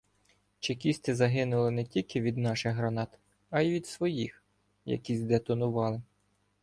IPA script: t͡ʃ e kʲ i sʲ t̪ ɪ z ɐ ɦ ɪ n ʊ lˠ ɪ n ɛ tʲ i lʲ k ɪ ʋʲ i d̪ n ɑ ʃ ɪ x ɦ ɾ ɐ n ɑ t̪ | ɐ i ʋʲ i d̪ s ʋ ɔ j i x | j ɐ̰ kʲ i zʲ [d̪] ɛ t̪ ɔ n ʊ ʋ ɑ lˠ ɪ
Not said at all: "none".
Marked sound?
d̪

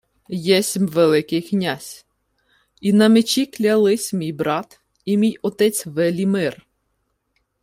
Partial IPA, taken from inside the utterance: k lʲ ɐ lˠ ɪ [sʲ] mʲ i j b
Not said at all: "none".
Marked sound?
sʲ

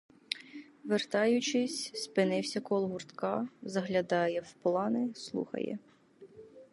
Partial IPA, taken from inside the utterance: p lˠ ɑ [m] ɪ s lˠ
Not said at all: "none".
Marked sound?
n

